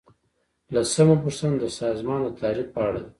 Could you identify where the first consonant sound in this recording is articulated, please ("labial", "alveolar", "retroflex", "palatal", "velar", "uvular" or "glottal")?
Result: alveolar